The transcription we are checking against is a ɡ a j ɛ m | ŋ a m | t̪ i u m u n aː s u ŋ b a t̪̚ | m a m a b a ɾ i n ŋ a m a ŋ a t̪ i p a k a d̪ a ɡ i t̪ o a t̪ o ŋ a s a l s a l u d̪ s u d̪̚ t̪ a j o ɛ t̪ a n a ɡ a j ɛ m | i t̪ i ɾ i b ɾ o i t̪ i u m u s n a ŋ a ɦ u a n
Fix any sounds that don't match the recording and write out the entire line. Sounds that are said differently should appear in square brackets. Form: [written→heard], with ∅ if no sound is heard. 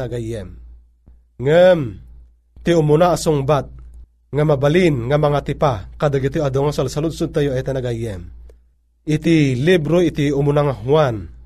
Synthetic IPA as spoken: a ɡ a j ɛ m | ŋ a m | t̪ i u m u n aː s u ŋ b a t̪̚ | [m→ŋ] a m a b a [ɾ→l] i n ŋ a m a ŋ a t̪ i p a k a d̪ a ɡ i t̪ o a [t̪→d̪] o ŋ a s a l s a l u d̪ s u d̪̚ t̪ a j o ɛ t̪ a n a ɡ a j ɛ m | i t̪ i [ɾ→l] i b ɾ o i t̪ i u m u [s→∅] n a ŋ a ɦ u a n